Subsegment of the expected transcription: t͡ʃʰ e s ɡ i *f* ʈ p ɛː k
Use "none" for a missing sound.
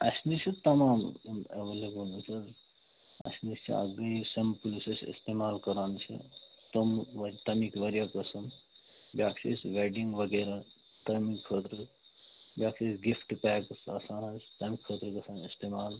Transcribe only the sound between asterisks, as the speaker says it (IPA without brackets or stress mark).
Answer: f